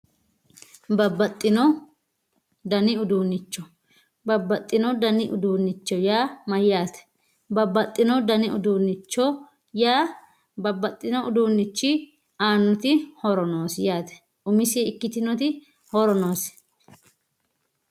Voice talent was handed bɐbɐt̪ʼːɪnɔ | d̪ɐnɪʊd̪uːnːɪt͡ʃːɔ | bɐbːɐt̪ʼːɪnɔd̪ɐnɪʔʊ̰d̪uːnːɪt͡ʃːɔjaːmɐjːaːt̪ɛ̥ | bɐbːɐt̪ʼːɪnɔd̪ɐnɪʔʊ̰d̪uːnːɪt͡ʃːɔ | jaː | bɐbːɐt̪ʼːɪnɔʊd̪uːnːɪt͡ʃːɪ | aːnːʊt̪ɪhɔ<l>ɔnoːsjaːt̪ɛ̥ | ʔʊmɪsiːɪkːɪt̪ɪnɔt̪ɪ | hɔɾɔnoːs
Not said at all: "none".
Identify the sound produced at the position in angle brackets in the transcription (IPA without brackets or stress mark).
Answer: ɾ